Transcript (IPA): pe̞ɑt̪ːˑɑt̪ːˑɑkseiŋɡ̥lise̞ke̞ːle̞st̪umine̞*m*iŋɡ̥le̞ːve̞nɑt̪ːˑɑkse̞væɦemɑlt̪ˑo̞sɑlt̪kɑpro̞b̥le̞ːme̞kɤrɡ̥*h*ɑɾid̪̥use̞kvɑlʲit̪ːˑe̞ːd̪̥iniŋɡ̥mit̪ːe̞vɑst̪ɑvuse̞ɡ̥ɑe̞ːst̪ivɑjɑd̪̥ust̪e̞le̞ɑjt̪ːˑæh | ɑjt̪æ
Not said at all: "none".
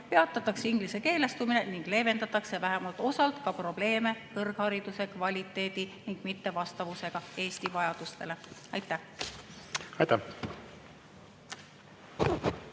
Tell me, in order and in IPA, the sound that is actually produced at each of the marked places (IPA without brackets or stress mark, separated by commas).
n, h